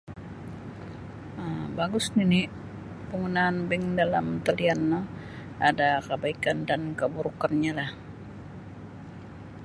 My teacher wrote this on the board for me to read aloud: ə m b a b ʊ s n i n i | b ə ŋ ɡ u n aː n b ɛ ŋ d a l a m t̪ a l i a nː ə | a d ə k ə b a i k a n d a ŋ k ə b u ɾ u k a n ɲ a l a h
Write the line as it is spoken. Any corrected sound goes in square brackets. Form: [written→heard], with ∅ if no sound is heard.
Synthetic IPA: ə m b a [b→ɡ] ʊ s n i n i | [b→p] ə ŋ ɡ u n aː n b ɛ ŋ d a l a m t̪ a l i a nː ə | a d [ə→a] k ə b a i k a n d a [ŋ→n] k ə b u ɾ u k a n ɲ a l a h